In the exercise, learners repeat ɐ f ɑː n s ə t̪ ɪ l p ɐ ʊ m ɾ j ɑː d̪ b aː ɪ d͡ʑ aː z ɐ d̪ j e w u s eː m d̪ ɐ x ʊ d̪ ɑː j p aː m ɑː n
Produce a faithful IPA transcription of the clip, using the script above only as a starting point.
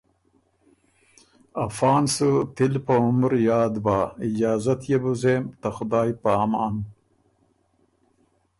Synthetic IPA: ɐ f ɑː n s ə t̪ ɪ l p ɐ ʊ m ɾ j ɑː d̪ b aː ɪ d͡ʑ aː z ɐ t̪ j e b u z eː m t̪ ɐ x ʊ d̪ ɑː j p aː m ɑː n